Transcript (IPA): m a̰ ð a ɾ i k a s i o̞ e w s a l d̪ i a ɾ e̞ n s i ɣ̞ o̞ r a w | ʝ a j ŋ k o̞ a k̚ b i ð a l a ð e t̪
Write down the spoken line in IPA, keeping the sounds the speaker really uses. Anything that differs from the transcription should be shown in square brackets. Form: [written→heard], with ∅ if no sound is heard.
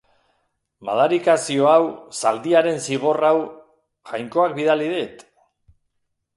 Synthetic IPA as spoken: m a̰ ð a ɾ i k a s i o̞ [e→a] w s a l d̪ i a ɾ e̞ n s i ɣ̞ o̞ r a w | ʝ a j ŋ k o̞ a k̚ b i ð a l [a→i] ð e t̪